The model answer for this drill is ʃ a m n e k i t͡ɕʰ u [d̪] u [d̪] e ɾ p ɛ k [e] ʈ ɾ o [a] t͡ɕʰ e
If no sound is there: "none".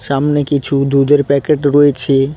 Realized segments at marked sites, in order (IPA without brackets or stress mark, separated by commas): d̪, d̪, e, e